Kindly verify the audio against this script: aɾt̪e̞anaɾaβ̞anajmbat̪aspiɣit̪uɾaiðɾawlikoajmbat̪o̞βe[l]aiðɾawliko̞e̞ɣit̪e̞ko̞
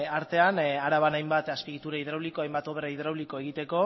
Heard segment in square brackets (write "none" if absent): ɾ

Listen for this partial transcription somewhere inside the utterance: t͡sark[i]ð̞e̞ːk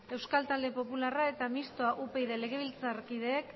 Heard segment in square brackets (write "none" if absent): i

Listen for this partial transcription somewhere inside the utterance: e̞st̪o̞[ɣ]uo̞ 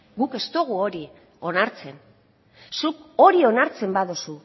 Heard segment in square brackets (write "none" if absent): ɣ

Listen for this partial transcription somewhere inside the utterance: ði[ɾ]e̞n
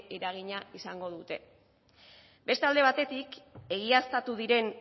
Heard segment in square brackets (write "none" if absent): ɾ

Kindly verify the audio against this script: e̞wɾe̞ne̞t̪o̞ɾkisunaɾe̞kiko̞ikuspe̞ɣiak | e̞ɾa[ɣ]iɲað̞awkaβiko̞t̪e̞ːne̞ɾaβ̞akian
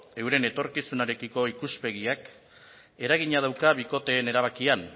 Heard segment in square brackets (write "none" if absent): ɣ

